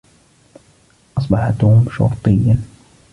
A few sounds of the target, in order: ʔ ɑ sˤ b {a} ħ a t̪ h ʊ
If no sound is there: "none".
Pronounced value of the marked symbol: ɑ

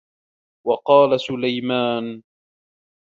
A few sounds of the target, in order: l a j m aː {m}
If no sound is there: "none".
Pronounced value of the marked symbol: n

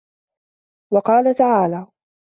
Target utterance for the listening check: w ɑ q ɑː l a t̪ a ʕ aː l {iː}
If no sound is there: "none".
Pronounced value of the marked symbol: aː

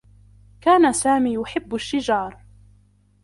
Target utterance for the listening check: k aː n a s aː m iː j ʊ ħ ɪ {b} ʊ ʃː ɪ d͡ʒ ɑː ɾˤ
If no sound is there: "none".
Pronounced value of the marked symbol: bː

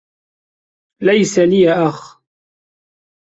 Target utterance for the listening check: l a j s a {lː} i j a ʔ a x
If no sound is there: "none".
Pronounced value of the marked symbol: l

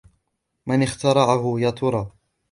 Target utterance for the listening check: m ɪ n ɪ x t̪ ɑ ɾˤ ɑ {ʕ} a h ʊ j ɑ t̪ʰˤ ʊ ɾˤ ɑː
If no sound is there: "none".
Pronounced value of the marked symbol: ʕ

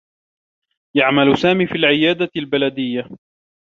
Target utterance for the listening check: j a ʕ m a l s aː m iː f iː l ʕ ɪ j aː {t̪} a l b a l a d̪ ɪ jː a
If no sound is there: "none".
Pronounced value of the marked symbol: d̪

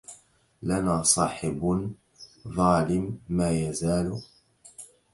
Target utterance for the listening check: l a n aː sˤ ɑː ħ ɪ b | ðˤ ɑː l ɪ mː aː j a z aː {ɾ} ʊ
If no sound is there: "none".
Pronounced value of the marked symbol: l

